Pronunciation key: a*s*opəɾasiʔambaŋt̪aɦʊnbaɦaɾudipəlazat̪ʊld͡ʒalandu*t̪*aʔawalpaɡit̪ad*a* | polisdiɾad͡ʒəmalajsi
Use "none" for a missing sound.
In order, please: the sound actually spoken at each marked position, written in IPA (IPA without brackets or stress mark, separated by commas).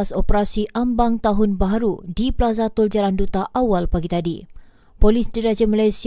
s, t̪, i